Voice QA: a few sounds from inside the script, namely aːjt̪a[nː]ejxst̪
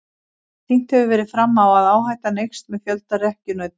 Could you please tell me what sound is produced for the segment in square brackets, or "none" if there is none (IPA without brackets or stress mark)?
n